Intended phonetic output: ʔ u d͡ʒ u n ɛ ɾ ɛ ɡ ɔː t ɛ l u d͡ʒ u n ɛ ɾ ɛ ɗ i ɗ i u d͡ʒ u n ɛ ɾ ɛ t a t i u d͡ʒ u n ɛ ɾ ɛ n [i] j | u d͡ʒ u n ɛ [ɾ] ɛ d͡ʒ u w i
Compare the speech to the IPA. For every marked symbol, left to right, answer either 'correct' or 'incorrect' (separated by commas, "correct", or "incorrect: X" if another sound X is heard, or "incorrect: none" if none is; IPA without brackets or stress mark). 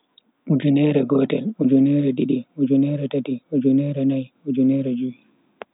incorrect: a, correct